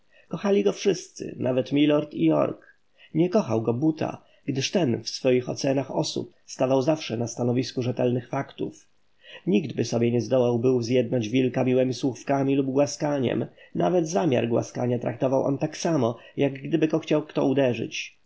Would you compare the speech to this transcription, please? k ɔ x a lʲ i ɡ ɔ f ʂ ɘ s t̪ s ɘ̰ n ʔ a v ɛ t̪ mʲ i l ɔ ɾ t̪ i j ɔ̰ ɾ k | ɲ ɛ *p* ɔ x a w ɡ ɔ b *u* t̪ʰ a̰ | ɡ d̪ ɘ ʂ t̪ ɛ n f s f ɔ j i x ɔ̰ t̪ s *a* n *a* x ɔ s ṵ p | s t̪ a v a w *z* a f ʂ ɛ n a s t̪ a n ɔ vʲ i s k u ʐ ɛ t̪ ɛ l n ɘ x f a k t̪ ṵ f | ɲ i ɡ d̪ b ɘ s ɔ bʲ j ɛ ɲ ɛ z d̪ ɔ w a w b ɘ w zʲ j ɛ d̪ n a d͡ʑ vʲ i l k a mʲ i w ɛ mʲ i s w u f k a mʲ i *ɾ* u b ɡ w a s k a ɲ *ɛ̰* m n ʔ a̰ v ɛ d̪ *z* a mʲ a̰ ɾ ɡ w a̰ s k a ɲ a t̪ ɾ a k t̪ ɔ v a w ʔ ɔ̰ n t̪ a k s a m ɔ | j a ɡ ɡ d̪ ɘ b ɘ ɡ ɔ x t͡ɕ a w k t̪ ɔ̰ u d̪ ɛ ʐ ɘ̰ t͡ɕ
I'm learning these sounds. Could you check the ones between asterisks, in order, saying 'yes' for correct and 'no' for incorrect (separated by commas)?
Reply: no, yes, no, yes, yes, no, yes, yes